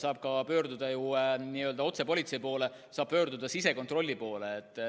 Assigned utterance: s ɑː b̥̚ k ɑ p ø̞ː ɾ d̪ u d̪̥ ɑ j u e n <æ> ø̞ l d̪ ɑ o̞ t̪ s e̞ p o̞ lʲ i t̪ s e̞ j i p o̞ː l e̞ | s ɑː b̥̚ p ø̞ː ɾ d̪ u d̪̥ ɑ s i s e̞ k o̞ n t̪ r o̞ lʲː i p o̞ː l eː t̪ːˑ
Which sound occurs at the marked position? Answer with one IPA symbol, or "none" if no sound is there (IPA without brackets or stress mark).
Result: i